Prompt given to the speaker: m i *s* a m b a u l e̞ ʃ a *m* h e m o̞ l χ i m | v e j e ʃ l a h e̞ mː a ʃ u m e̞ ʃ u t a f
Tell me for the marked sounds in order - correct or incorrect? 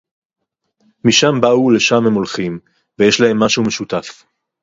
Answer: incorrect: ʃ, correct

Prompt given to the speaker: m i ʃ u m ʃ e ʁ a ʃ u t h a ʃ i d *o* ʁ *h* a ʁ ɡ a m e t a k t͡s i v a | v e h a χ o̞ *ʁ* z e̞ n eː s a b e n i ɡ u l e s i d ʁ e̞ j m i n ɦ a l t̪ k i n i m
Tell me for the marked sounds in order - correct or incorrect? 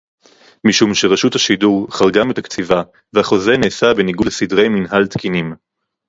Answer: incorrect: u, incorrect: χ, incorrect: none

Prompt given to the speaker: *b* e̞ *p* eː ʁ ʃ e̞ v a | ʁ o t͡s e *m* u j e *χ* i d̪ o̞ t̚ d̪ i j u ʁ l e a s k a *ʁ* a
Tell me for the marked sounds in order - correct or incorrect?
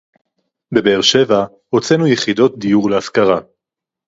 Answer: correct, incorrect: b, incorrect: n, correct, correct

